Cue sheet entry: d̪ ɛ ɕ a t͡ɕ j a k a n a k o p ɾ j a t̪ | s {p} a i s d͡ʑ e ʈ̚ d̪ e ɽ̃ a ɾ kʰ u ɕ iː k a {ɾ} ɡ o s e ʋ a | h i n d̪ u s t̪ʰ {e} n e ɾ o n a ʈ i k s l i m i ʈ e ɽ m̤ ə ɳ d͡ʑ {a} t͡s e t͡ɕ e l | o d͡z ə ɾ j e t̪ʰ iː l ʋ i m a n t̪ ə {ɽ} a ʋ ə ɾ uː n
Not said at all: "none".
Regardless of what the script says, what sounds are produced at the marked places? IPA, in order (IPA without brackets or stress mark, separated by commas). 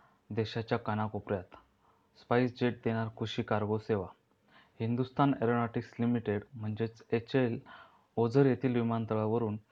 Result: p, ɾ, a, e, ɭ